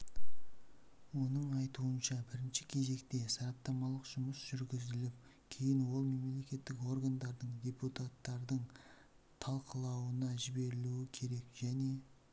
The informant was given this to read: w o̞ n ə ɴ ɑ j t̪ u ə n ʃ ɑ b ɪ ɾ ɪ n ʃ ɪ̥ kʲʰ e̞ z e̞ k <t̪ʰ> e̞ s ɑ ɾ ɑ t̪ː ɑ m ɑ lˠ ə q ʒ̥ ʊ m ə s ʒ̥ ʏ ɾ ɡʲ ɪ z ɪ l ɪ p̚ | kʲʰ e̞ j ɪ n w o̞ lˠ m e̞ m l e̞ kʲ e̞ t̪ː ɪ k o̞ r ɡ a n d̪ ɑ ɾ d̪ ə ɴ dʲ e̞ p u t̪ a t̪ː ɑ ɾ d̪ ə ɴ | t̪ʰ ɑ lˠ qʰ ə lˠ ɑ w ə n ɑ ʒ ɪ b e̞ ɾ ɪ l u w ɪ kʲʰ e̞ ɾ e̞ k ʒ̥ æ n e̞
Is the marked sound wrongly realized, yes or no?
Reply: yes